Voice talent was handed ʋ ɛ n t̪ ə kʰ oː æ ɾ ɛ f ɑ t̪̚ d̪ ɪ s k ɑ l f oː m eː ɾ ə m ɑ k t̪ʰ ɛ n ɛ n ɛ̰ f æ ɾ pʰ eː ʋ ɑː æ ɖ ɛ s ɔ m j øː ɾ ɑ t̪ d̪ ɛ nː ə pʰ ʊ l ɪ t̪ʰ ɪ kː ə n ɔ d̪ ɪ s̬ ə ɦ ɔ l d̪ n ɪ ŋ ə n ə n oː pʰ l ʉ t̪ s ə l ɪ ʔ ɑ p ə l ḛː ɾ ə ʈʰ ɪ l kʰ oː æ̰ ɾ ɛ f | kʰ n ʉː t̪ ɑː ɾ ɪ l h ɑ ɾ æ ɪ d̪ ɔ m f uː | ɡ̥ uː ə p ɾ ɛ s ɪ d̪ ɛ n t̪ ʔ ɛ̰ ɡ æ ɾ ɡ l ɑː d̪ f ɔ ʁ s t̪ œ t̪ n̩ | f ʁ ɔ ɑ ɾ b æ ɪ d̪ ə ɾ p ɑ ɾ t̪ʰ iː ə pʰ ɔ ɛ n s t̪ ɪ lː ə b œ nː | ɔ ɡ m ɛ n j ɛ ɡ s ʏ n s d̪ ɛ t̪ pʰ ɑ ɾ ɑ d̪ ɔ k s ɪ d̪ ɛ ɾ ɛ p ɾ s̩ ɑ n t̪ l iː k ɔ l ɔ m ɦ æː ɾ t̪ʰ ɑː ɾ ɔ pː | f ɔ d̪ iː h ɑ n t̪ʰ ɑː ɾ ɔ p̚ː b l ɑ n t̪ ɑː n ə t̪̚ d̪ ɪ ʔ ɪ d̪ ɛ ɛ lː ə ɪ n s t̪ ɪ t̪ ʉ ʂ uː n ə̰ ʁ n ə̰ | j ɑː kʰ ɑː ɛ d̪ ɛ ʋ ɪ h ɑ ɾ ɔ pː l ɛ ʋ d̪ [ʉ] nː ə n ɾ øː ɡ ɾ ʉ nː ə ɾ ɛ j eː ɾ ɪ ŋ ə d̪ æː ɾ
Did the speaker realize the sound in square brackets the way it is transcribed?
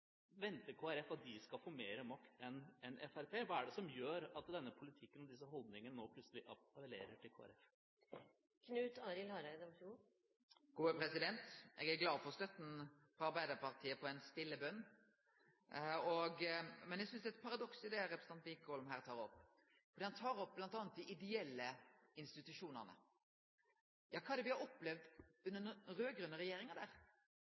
yes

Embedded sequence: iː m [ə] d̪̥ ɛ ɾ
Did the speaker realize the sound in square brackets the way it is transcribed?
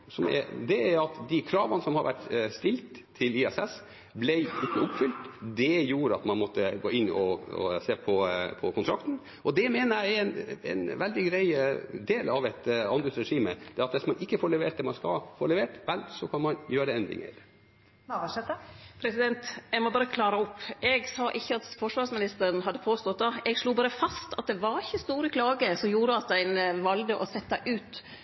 yes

